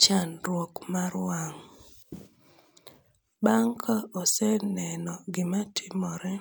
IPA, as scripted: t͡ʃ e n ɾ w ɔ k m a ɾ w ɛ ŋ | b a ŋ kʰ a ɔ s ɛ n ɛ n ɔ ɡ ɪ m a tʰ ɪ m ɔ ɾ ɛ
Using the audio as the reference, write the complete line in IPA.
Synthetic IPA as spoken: t͡ʃ a n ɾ w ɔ k m a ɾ w a ŋ | b a ŋ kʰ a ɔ s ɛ n ɛ n ɔ ɡ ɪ m a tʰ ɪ m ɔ ɾ ɛ